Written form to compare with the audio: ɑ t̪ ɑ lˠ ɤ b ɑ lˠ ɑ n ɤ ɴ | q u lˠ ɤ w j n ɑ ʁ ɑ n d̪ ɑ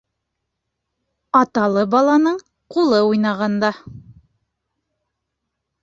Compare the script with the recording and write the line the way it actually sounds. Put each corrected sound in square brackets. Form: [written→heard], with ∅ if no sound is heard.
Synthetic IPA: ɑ t̪ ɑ lˠ ɤ b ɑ lˠ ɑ n ɤ ɴ | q u lˠ ɤ [w→u] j n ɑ ʁ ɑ n d̪ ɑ

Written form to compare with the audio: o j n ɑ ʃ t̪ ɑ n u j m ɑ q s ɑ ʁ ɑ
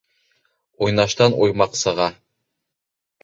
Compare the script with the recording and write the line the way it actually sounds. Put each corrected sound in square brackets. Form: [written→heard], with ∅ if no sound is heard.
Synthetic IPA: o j n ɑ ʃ t̪ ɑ n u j m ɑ q s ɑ ʁ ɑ

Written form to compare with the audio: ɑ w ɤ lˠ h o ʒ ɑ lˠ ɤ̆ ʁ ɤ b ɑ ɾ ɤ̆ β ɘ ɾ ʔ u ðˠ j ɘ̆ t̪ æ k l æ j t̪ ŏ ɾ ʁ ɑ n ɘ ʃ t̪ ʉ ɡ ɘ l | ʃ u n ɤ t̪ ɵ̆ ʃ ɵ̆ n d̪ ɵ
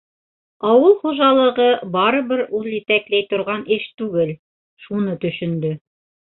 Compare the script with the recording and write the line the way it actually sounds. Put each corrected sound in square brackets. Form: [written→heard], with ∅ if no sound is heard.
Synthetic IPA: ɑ w ɤ lˠ [h→χ] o ʒ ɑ lˠ ɤ̆ ʁ ɤ b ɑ ɾ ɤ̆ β ɘ ɾ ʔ u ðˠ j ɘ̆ t̪ æ k l æ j t̪ ŏ ɾ ʁ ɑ n ɘ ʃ t̪ ʉ ɡ ɘ l | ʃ u n ɤ t̪ ɵ̆ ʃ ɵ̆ n d̪ ɵ

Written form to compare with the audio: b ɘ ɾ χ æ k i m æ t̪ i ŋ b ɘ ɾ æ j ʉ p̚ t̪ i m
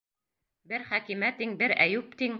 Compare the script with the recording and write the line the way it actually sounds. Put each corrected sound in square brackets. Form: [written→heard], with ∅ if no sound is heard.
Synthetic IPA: b ɘ ɾ χ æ k i m æ t̪ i ŋ b ɘ ɾ æ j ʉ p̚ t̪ i [m→ŋ]

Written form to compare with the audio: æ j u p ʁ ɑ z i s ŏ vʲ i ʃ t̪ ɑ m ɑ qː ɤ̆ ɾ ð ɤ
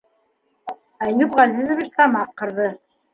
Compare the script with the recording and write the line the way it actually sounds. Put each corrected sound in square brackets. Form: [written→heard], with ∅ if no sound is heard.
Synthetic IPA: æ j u p ʁ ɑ z i [s→z] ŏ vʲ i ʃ t̪ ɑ m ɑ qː ɤ̆ ɾ ð ɤ

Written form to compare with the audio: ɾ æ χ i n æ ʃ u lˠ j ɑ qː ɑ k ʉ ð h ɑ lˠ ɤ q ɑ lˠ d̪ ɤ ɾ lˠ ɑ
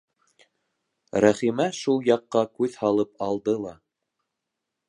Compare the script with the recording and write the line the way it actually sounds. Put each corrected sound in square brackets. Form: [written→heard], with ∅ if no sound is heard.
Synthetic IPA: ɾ æ χ i [n→m] æ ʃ u lˠ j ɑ qː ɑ k ʉ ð h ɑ lˠ ɤ [q→p] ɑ lˠ d̪ ɤ [ɾ→∅] lˠ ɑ

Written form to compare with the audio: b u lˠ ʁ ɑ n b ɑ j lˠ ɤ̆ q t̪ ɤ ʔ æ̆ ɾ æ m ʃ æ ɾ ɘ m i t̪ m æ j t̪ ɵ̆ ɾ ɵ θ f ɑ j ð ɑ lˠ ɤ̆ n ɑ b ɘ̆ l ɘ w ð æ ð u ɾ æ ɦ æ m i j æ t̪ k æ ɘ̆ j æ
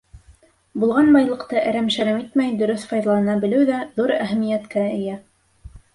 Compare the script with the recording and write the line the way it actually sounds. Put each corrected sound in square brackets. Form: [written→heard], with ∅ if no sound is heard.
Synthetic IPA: b u lˠ ʁ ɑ n b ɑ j lˠ ɤ̆ q t̪ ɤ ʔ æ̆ ɾ æ m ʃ æ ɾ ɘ m i t̪ m æ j [t̪→d̪] ɵ̆ ɾ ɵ θ f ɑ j ð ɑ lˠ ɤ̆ n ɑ b ɘ̆ l ɘ w ð æ ð u ɾ æ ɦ æ m i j æ t̪ k æ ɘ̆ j æ

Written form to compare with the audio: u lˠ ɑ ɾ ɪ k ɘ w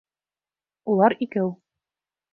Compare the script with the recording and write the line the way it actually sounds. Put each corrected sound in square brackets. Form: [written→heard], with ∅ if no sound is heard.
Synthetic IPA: u lˠ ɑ ɾ [ɪ→i] k ɘ w

